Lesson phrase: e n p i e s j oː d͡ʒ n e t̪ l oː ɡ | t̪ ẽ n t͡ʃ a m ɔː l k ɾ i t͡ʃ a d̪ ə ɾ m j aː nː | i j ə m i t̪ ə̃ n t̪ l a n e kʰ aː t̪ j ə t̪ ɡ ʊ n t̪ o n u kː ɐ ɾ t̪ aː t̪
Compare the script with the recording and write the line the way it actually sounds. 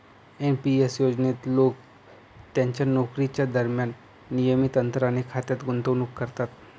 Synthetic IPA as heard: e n p i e s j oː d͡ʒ n e t̪ l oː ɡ | t̪ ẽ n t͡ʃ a n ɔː k ɾ i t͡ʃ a d̪ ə ɾ m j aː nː | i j ə m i t̪ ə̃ n t̪ ɾ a n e kʰ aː t̪ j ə t̪ ɡ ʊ n t̪ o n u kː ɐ ɾ t̪ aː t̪